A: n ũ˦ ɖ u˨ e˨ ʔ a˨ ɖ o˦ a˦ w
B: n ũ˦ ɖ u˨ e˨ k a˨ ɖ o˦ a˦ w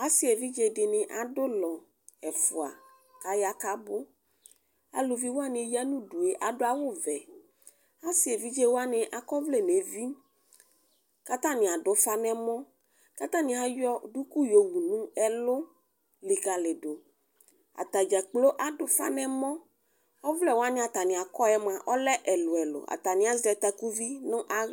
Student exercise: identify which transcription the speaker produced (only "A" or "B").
A